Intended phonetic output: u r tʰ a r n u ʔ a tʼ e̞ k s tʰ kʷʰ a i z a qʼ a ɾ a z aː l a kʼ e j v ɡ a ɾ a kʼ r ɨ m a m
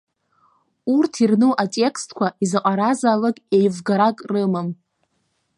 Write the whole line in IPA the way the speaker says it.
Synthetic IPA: u r tʰ i r n u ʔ a tʼ e̞ k s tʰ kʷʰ a i z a qʼ a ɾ a z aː l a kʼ e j v ɡ a ɾ a kʼ r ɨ m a m